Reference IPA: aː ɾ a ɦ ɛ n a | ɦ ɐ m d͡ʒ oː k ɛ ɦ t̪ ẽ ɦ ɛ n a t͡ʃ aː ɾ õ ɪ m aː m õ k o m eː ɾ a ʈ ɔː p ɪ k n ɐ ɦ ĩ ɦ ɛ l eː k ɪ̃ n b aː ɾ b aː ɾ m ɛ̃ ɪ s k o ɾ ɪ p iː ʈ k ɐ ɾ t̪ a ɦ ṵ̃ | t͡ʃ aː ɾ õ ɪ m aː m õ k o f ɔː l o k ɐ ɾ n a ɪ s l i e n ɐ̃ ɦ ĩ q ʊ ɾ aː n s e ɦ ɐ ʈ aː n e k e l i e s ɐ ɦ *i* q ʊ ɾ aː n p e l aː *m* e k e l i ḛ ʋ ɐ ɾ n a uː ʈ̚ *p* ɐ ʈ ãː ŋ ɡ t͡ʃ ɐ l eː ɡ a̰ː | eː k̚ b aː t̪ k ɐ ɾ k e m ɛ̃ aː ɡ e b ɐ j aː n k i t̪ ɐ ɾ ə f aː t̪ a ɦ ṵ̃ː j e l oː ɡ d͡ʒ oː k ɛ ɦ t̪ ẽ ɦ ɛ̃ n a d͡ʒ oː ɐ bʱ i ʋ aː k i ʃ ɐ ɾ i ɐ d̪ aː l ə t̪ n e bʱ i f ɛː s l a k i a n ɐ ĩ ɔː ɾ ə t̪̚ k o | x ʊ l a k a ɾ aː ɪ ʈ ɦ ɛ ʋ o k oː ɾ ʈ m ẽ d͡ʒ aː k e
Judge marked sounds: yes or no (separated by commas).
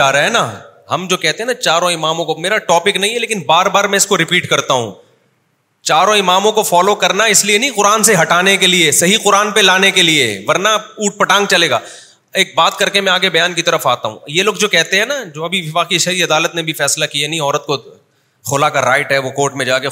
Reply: yes, no, yes